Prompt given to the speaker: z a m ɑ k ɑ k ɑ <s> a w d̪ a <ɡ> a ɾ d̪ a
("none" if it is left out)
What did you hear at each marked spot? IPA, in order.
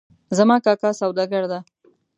s, ɡ

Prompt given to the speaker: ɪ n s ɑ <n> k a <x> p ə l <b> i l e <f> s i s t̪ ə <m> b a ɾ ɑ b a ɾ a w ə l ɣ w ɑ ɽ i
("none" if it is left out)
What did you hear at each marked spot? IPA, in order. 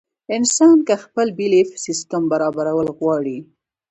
n, x, b, f, m

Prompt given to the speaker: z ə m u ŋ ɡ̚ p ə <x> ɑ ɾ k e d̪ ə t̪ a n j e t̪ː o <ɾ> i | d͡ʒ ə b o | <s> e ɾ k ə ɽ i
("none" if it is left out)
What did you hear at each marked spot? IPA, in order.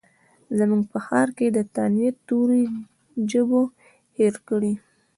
x, ɾ, h

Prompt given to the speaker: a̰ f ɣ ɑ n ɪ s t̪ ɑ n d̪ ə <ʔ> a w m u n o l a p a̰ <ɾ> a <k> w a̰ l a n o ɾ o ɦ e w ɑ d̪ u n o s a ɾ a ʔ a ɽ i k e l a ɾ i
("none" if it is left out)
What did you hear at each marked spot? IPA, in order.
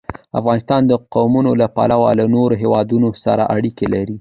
q, l, none

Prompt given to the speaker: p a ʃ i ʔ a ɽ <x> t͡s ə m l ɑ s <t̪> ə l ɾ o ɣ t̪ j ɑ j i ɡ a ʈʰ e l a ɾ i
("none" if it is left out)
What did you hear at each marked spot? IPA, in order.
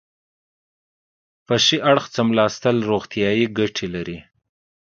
x, t̪

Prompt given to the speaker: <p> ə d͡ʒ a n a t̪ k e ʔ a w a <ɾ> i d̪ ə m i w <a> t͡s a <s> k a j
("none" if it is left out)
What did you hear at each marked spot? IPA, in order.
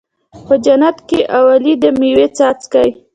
p, l, e, t͡s

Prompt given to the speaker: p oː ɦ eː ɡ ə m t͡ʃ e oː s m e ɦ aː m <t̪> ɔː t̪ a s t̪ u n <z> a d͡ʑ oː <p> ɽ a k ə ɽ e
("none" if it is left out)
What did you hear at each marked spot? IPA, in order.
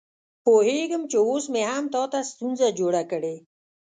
t̪, z, none

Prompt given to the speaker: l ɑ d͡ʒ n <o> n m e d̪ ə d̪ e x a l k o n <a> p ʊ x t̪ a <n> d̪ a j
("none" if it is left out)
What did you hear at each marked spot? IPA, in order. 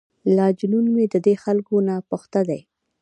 u, a, none

